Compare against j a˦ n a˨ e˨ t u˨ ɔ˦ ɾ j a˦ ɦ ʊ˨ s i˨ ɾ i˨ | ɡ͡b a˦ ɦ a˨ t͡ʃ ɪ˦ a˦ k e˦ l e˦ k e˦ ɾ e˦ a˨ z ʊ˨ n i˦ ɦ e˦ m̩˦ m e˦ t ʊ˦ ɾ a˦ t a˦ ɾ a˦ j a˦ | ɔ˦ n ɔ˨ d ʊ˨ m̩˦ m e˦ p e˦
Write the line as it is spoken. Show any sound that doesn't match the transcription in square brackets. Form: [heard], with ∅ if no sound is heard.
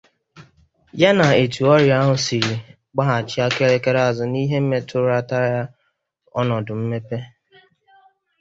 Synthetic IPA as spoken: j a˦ n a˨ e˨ t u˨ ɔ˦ ɾ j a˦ ɦ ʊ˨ s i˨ ɾ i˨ | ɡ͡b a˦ ɦ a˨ t͡ʃ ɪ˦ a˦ k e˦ [ɾ] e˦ k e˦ ɾ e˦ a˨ z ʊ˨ n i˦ ɦ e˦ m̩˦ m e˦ t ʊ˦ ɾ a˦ t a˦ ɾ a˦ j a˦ | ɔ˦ n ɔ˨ d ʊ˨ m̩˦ m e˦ p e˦